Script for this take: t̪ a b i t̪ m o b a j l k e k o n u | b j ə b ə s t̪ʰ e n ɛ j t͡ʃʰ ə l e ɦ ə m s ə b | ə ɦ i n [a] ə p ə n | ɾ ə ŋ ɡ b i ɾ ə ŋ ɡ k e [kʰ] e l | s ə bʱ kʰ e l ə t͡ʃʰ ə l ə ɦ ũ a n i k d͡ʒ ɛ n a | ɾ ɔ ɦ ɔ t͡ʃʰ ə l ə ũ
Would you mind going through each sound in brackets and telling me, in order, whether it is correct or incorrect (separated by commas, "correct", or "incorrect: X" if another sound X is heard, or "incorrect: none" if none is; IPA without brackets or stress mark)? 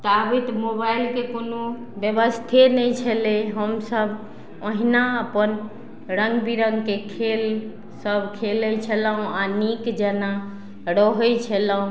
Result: correct, correct